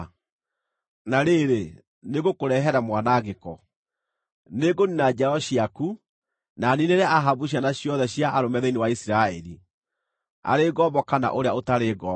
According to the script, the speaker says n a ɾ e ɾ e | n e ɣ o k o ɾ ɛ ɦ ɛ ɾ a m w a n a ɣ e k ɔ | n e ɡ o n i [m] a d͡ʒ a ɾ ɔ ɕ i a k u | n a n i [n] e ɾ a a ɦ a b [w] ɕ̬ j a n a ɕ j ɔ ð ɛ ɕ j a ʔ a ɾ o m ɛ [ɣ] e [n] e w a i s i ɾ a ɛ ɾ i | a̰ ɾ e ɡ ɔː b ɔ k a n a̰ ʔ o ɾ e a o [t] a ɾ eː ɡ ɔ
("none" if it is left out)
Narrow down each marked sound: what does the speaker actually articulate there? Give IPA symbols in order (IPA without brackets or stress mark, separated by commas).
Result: n, n, u, ð, n, t